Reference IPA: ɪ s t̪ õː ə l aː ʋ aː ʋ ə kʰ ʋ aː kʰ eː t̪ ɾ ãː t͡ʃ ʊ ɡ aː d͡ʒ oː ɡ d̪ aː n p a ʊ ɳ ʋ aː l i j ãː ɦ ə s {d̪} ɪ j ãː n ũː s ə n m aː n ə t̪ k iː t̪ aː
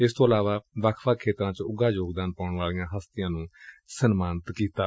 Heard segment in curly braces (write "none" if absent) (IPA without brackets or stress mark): t̪